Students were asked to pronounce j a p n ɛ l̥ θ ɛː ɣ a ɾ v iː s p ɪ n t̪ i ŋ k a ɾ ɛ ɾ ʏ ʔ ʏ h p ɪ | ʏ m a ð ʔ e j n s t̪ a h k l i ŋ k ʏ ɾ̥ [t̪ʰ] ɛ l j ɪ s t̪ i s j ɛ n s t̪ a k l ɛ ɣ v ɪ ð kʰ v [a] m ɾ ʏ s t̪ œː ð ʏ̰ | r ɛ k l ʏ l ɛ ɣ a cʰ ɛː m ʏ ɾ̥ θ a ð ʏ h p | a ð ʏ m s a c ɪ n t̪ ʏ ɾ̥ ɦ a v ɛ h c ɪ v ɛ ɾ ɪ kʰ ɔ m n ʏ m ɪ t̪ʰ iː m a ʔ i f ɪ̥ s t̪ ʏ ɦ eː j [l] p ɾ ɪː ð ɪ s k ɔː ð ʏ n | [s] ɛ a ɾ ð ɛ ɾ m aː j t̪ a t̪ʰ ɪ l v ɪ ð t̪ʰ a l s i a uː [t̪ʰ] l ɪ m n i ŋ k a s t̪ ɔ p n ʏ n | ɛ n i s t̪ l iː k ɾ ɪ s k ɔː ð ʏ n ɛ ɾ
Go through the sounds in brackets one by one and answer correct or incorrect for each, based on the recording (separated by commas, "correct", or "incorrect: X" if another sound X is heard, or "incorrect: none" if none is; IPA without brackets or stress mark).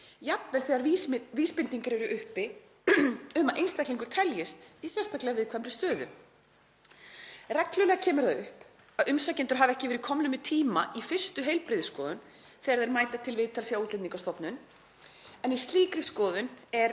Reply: correct, incorrect: ɛ, correct, incorrect: θ, incorrect: t̪